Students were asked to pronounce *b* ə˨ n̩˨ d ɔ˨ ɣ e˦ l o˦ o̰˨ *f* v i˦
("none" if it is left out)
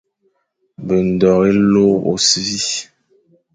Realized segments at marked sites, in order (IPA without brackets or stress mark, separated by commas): b, s